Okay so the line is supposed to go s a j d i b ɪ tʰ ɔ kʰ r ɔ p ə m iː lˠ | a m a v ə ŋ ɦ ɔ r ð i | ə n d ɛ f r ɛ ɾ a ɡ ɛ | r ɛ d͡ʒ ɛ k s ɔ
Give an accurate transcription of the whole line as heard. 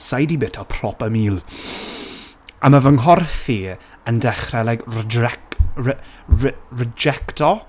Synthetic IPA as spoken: s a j d i b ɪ tʰ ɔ pʰ r ɔ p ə m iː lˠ | a m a v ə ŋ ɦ ɔ r θ i | ə n d ɛ χ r ɛ l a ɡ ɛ | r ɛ d͡ʒ ɛ k t ɔ